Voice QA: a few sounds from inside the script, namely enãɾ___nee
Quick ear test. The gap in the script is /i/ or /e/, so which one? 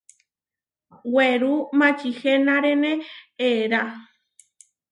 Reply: e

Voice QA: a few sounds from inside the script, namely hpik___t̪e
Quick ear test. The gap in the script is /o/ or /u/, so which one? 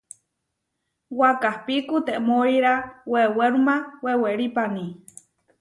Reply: u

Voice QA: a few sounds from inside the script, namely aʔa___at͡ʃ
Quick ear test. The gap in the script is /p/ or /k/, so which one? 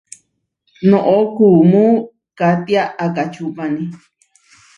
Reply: k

